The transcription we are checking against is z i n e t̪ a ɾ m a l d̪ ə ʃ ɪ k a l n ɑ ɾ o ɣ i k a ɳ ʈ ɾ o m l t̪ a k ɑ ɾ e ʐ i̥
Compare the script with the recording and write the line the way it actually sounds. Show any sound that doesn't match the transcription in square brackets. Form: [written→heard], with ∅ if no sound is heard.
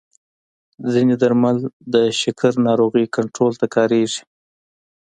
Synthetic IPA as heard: z i n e [t̪→d̪] a ɾ m a l d̪ ə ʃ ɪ k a [l→ɾ] n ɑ ɾ o ɣ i k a ɳ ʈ ɾ o [m→∅] l t̪ a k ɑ ɾ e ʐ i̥